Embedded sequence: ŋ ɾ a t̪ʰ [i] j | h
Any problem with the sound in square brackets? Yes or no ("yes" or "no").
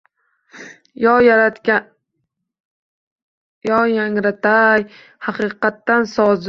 yes